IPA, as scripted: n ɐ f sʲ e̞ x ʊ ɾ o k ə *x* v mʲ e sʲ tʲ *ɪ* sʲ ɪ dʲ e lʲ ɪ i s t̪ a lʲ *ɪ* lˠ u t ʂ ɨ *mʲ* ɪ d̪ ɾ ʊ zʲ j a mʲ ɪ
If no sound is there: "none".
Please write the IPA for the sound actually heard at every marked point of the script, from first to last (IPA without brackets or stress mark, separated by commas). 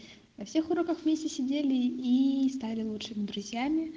x, ɪ, ɪ, mʲ